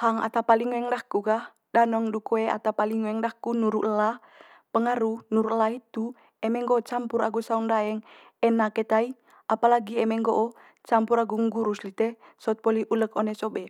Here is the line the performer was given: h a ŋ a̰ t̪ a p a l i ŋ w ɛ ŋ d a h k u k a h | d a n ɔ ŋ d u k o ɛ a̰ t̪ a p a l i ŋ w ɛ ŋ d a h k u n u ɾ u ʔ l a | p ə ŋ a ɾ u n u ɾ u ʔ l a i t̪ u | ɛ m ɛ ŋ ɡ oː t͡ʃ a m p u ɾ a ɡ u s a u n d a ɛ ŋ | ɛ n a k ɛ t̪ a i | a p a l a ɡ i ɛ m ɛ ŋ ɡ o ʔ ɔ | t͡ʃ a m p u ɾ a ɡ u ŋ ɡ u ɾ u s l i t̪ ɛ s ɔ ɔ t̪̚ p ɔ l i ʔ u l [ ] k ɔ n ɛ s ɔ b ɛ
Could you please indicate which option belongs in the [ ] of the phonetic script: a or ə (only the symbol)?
ə